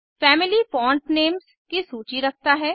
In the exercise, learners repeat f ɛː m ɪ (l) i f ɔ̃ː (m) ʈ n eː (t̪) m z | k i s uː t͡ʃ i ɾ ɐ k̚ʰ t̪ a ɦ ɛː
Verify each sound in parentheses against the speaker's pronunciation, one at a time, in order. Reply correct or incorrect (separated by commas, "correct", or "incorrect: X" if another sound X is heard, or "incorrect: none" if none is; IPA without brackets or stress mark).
correct, incorrect: ɳ, incorrect: none